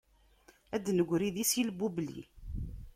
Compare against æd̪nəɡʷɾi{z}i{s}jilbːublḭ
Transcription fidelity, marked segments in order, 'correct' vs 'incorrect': incorrect, correct

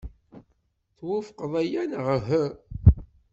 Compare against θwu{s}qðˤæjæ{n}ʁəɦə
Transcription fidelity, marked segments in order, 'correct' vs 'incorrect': incorrect, correct

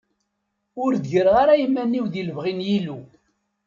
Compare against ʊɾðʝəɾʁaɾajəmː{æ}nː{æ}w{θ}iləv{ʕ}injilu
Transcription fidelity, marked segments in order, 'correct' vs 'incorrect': correct, incorrect, incorrect, incorrect

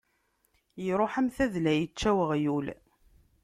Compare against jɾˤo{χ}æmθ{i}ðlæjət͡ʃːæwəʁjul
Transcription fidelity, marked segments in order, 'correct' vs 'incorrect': incorrect, incorrect

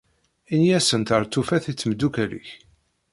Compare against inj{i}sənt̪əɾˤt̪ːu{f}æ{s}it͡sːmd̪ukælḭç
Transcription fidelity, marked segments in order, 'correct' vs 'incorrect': incorrect, correct, incorrect

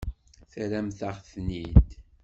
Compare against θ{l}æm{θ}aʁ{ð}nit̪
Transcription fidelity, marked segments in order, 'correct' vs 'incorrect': incorrect, correct, incorrect

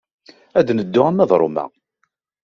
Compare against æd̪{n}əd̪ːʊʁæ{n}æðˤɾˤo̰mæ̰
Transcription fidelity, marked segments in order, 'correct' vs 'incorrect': correct, incorrect

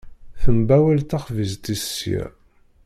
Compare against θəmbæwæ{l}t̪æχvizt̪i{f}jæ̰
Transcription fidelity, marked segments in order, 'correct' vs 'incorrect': correct, incorrect

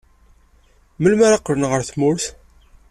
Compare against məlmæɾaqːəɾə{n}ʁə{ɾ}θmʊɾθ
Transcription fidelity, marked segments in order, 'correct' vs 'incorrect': correct, correct

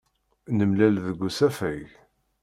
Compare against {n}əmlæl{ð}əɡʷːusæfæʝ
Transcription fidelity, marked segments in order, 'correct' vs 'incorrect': correct, correct

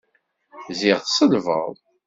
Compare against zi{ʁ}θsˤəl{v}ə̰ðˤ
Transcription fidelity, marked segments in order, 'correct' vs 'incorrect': correct, correct

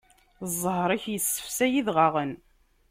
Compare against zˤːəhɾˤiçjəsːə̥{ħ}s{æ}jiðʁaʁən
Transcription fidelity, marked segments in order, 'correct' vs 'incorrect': incorrect, correct

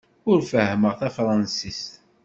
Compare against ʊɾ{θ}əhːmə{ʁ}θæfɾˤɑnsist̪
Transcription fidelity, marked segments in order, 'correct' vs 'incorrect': incorrect, correct

